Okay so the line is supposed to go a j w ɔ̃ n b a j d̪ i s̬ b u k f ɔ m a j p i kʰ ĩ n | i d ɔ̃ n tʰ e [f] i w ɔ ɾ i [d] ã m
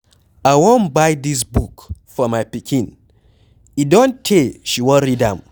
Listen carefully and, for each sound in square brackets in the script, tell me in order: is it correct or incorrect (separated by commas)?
incorrect, correct